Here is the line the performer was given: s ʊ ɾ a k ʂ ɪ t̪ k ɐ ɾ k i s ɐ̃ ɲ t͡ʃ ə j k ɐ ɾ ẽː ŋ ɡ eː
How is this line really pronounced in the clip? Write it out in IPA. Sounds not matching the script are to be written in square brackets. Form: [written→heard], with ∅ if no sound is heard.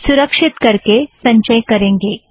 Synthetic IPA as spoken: s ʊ ɾ [a→ə] k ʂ ɪ t̪ k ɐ ɾ k [i→e] s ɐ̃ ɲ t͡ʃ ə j k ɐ ɾ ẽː ŋ ɡ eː

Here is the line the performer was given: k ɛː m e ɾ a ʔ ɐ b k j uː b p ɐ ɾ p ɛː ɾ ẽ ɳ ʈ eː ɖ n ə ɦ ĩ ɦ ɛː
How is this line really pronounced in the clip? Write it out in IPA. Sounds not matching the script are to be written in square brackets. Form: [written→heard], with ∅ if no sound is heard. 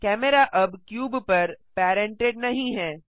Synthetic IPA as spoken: k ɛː m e ɾ a ʔ ɐ b k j uː b p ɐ ɾ p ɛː ɾ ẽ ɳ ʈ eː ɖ n [ə→ɐ] ɦ ĩ ɦ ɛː

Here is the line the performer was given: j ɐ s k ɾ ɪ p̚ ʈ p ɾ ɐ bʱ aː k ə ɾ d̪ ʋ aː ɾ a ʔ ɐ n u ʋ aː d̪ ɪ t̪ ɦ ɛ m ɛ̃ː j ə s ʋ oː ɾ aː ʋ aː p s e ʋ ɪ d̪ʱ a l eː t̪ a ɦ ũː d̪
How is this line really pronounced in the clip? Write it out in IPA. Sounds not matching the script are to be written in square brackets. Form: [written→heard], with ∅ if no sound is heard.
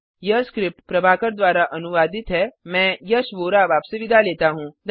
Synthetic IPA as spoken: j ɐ s k ɾ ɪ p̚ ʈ p ɾ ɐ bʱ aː k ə ɾ d̪ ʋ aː ɾ a ʔ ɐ n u ʋ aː d̪ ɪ t̪ ɦ ɛ m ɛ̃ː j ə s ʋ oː ɾ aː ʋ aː p s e ʋ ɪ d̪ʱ a l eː t̪ a ɦ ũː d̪

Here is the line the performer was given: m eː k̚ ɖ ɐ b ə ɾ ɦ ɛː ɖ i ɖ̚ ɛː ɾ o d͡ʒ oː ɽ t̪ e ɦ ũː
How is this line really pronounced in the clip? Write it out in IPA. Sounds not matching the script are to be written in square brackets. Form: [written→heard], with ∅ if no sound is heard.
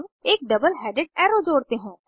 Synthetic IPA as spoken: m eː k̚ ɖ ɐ b ə [ɾ→l] ɦ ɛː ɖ [i→ɪ] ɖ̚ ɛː ɾ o d͡ʒ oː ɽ t̪ e ɦ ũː

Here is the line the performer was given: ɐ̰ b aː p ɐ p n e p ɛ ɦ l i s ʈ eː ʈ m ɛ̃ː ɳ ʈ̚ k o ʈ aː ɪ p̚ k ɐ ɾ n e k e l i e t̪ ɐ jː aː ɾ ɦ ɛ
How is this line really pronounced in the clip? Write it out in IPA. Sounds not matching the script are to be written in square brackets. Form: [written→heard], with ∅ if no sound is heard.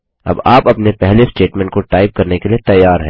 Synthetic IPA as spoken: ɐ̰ b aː p ɐ p n e p ɛ ɦ l [i→e] s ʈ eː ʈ m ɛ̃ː ɳ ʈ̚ k o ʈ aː ɪ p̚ k ɐ ɾ n e k e l i e t̪ ɐ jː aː ɾ ɦ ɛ

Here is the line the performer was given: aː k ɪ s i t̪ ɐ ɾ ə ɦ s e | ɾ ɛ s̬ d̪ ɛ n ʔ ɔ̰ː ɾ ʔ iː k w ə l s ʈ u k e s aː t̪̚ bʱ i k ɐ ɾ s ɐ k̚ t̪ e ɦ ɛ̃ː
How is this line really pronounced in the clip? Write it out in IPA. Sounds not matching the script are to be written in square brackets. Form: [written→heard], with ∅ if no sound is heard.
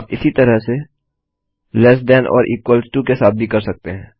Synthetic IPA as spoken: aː [k→p] ɪ s i t̪ ɐ ɾ ə ɦ s e | [ɾ→l] ɛ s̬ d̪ ɛ n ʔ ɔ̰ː ɾ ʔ iː k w ə l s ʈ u k e s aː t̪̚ bʱ i k ɐ ɾ s ɐ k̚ t̪ e ɦ ɛ̃ː

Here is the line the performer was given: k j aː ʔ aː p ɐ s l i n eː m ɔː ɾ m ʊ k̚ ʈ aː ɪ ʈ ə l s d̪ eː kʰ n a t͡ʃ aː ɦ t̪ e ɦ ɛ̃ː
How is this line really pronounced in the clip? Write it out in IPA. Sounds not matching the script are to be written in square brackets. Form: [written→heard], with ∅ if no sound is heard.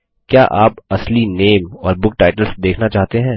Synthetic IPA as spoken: k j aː ʔ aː p ɐ s l i n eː m ɔː ɾ [m→b] ʊ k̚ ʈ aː ɪ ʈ ə l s d̪ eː kʰ n a t͡ʃ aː ɦ t̪ e ɦ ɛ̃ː

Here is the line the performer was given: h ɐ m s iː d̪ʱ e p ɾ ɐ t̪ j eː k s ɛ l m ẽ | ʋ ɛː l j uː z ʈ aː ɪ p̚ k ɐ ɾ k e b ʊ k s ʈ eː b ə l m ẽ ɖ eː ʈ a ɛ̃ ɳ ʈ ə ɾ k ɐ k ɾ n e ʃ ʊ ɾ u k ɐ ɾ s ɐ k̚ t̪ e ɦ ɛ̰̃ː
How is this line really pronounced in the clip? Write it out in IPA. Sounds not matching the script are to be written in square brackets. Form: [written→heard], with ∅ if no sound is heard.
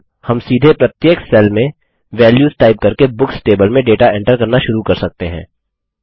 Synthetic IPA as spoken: h ɐ m s iː d̪ʱ e p ɾ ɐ t̪ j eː k s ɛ l m ẽ | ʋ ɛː l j uː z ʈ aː ɪ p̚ k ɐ ɾ k e b ʊ k s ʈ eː b ə l m ẽ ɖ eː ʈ a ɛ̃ ɳ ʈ ə ɾ k ɐ [k→∅] ɾ n [e→a] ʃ ʊ ɾ u k ɐ ɾ s ɐ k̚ t̪ e ɦ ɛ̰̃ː

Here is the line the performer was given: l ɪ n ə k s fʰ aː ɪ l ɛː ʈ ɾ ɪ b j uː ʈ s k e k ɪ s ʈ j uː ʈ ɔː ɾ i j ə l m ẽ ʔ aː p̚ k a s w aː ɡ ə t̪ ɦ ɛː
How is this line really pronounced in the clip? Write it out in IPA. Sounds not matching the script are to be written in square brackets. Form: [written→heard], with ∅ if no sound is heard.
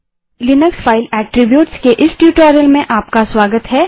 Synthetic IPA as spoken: l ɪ n ə k s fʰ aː ɪ l ɛː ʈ ɾ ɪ b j uː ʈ s k e [k→ʔ] ɪ s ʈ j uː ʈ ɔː ɾ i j ə l m ẽ ʔ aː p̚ k a s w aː ɡ ə t̪ ɦ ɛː

